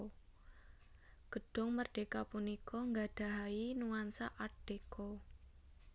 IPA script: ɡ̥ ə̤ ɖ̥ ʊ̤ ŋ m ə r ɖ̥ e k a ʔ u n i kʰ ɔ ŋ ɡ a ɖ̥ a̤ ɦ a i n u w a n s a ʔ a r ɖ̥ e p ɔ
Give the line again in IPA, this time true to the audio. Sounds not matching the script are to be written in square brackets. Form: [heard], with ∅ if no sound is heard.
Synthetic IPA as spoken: ɡ̥ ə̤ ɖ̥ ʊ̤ ŋ m ə r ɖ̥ e k a [p] u n i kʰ ɔ ŋ ɡ a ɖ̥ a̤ ɦ a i n u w a n s a ʔ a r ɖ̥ e [k] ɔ